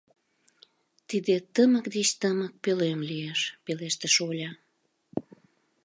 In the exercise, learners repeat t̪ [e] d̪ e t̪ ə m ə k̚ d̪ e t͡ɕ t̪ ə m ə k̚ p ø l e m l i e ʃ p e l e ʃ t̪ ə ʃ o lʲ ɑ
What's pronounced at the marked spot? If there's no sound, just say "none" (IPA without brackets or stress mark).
i